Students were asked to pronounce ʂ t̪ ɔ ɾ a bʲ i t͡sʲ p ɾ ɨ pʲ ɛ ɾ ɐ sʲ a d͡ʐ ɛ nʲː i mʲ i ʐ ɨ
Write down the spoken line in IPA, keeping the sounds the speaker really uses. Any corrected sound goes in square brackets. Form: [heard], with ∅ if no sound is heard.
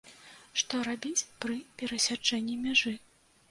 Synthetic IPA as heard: ʂ t̪ ɔ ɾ a bʲ i t͡sʲ p ɾ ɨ pʲ ɛ ɾ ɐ sʲ a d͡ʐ ɛ nʲː i mʲ [a] ʐ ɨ

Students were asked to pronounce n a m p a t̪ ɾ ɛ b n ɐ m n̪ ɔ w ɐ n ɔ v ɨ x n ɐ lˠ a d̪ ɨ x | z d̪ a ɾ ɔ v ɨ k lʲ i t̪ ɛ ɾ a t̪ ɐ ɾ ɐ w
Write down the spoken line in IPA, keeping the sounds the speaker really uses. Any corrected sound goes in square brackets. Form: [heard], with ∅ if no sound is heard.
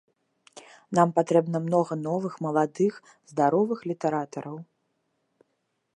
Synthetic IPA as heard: n a m p a t̪ ɾ ɛ b n ɐ m n̪ ɔ [ɣ] ɐ n ɔ v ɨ x [m] ɐ lˠ a d̪ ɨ x | z d̪ a ɾ ɔ v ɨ [x] lʲ i t̪ ɛ ɾ a t̪ ɐ ɾ ɐ w

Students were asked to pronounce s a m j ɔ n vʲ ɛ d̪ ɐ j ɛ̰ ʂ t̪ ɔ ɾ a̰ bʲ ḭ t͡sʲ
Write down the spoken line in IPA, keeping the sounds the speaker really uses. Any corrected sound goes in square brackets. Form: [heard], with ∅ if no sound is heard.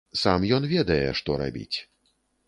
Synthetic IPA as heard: s a m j ɔ n vʲ ɛ d̪ ɐ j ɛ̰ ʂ t̪ ɔ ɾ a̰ bʲ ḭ t͡sʲ

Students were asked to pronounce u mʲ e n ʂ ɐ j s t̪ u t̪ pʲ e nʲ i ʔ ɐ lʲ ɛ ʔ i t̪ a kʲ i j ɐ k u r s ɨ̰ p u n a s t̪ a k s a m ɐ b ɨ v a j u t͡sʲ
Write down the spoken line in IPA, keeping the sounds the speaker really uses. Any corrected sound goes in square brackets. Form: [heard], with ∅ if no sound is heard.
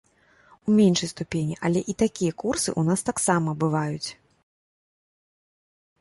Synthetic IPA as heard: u mʲ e n ʂ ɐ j s t̪ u [∅] pʲ e nʲ i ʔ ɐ lʲ ɛ ʔ i t̪ a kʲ i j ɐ k u r s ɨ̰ [ʔ] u n a s t̪ a k s a m ɐ b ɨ v a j u t͡sʲ

